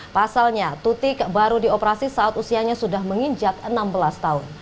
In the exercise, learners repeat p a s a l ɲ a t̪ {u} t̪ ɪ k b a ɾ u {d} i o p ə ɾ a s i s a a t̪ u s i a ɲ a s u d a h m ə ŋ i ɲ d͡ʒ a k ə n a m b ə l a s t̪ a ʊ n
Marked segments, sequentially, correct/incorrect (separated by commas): correct, correct